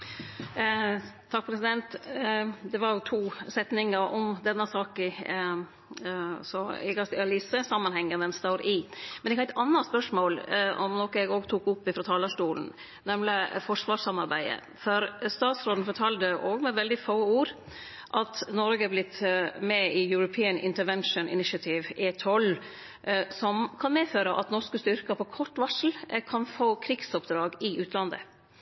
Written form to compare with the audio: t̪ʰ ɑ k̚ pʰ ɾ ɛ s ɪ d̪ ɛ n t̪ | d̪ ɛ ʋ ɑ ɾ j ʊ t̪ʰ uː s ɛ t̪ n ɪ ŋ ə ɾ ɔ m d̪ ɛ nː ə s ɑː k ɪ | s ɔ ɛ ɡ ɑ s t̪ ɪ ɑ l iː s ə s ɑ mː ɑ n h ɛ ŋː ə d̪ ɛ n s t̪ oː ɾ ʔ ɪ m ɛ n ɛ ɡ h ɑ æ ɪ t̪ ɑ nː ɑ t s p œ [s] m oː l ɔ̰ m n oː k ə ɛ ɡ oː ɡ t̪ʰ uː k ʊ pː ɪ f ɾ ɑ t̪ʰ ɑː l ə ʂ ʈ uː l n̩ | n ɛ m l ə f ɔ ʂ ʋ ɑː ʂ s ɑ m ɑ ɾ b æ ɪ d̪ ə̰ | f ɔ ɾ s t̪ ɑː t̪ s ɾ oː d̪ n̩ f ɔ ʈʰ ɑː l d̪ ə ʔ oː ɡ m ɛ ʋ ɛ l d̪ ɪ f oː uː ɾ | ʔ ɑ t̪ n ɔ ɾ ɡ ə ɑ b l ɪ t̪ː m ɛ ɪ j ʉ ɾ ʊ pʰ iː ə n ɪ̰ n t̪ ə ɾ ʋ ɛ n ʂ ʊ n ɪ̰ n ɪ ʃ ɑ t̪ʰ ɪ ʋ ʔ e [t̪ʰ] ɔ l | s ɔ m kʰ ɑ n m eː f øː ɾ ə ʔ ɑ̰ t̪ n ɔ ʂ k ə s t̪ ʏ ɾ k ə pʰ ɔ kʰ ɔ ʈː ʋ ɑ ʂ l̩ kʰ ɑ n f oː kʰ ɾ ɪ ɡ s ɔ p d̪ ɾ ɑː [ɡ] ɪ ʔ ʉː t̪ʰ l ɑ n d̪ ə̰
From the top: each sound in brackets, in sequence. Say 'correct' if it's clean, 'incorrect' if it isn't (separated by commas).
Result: incorrect, correct, correct